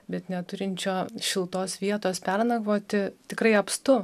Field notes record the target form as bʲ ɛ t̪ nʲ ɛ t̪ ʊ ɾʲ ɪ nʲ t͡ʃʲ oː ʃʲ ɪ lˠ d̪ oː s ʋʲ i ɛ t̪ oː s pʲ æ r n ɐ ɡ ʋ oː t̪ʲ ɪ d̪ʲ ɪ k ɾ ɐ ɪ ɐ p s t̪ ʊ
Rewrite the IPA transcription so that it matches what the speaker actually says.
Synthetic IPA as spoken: bʲ ɛ t̪ nʲ ɛ t̪ ʊ ɾʲ ɪ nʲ t͡ʃʲ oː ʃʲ ɪ lˠ t̪ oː s ʋʲ i ɛ t̪ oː s pʲ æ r n ɐ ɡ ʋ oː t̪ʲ ɪ t̪ʲ ɪ k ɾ ɐ ɪ ɐ p s t̪ ʊ